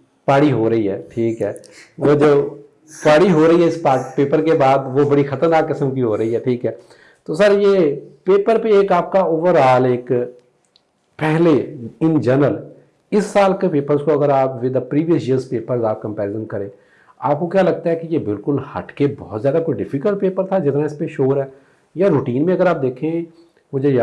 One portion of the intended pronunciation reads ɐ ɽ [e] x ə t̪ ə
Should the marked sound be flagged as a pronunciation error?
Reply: yes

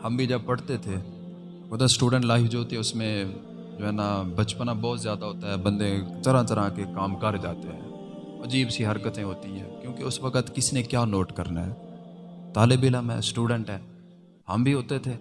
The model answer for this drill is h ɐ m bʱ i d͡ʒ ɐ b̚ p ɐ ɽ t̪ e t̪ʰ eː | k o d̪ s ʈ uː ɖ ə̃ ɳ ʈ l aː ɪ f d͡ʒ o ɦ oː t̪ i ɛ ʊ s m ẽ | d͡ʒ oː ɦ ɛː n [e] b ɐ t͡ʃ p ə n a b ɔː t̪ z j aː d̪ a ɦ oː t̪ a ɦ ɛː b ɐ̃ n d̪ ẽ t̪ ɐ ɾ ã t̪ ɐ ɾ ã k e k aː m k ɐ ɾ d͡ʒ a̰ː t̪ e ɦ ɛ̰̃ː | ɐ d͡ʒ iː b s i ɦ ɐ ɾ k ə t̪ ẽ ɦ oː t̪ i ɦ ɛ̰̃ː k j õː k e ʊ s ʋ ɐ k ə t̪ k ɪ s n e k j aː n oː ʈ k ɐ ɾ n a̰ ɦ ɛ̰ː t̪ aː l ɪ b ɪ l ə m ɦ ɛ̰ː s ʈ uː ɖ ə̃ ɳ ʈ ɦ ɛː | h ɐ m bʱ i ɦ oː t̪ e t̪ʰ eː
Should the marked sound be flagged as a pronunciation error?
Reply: yes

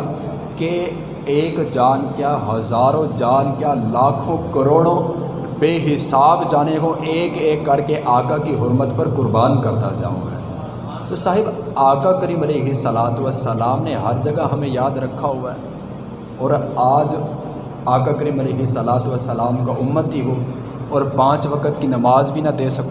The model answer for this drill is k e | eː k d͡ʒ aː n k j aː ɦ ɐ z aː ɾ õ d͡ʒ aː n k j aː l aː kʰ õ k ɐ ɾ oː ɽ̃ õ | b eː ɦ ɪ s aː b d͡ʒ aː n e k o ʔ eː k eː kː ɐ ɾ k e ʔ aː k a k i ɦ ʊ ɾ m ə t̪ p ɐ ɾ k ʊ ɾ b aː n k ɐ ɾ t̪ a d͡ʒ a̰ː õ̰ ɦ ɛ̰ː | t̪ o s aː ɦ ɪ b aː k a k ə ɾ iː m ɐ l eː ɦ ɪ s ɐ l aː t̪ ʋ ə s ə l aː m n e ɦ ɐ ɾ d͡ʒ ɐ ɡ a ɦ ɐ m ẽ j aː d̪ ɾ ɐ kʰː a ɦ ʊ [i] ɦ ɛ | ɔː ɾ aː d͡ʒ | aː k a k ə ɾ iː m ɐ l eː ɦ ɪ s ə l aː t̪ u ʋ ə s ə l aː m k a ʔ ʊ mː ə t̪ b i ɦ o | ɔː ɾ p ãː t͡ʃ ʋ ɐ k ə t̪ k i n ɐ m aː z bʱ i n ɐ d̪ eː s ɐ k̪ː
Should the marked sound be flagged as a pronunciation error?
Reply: yes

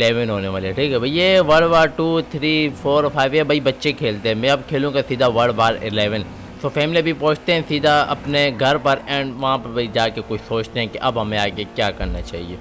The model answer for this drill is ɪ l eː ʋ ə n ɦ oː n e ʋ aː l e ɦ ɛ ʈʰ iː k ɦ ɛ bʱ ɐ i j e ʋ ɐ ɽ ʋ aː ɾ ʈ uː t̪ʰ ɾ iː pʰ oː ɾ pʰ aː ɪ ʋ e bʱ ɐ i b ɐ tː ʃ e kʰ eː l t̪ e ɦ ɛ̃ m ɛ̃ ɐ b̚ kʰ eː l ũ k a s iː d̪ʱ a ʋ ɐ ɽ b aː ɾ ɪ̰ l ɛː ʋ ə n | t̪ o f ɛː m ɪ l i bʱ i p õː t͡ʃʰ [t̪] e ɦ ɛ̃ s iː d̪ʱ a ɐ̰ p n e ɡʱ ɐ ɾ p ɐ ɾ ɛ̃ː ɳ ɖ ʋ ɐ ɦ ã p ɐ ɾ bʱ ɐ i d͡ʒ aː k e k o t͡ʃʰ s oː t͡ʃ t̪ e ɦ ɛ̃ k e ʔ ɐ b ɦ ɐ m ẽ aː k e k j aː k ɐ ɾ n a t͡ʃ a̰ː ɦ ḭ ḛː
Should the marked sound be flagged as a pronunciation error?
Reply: no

